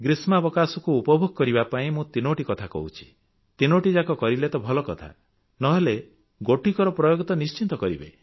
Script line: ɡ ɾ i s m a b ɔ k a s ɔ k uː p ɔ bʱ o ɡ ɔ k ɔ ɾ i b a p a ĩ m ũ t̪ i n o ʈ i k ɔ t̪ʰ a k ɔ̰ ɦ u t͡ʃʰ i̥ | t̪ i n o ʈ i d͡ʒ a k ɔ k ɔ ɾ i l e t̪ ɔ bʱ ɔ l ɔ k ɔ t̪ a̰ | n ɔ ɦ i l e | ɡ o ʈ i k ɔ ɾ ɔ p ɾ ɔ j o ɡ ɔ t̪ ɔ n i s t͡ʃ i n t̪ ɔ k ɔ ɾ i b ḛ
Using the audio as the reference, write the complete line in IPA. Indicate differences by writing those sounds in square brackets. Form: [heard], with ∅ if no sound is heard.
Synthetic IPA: ɡ ɾ i s m a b ɔ k a s ɔ k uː p ɔ bʱ o ɡ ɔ k ɔ ɾ i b a p a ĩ m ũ t̪ i n o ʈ i k ɔ t̪ʰ a k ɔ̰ ɦ u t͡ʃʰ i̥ | t̪ i n o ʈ i d͡ʒ a k ɔ k ɔ ɾ i l e t̪ ɔ bʱ ɔ l ɔ k ɔ [t̪ʰ] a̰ | n ɔ ɦ [e] l e | ɡ o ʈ i k ɔ ɾ ɔ p ɾ ɔ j o ɡ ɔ t̪ ɔ n i s t͡ʃ i n t̪ ɔ k ɔ ɾ i b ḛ